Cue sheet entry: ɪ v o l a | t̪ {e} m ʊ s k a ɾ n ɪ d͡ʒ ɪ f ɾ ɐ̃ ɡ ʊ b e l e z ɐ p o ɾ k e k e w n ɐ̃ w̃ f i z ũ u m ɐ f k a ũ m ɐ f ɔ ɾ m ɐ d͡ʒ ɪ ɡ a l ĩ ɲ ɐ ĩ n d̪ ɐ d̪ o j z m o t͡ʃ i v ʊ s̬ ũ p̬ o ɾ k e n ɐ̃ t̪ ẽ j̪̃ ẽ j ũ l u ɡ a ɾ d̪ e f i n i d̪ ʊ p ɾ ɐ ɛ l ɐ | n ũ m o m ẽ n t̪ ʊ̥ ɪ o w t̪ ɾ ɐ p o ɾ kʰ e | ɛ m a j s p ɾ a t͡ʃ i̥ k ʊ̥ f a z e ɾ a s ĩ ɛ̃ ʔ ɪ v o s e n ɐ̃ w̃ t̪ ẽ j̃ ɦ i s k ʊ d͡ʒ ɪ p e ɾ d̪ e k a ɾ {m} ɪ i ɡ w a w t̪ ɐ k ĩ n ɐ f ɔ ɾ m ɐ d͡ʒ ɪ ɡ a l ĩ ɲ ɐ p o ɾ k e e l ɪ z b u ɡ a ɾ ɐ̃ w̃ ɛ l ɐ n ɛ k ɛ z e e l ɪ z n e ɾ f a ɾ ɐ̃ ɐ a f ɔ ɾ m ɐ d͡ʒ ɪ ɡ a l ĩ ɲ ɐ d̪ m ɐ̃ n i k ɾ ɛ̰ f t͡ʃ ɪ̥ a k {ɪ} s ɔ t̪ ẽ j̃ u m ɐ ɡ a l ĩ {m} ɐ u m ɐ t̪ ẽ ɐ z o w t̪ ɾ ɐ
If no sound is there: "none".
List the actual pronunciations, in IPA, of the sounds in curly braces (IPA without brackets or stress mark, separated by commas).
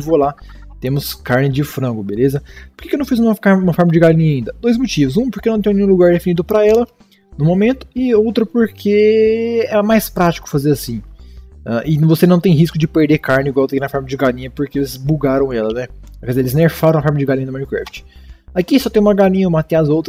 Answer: ẽ, n, i, ɲ